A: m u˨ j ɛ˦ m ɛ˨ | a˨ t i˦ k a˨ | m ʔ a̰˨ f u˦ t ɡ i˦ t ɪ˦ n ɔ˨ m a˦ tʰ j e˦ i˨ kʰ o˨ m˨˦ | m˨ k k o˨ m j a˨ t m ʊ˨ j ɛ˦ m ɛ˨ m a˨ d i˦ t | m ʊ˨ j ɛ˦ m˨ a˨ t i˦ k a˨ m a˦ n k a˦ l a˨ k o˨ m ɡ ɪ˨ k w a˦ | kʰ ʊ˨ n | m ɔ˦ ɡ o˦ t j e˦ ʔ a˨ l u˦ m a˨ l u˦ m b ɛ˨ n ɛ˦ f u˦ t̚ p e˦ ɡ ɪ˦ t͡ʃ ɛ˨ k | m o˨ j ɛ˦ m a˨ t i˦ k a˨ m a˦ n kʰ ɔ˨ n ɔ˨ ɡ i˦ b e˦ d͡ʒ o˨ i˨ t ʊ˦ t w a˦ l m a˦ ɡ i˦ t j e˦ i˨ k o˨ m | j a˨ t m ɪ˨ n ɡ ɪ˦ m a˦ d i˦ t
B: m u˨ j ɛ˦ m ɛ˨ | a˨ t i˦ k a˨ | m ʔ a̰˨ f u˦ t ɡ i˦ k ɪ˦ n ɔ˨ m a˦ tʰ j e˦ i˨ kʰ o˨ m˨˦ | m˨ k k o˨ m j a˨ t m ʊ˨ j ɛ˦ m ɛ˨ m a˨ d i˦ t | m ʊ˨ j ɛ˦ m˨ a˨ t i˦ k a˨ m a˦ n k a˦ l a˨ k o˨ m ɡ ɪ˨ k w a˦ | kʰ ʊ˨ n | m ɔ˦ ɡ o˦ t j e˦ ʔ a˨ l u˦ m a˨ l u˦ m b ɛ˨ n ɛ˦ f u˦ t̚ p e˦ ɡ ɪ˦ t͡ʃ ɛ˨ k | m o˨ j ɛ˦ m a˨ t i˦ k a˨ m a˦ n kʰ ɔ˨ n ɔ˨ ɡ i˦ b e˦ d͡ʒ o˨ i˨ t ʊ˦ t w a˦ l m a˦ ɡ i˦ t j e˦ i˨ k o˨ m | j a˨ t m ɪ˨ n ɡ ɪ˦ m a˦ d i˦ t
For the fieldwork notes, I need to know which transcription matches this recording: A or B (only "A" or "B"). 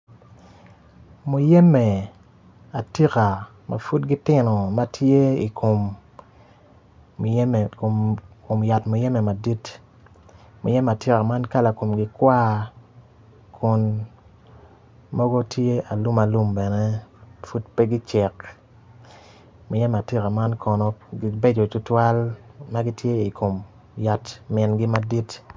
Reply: A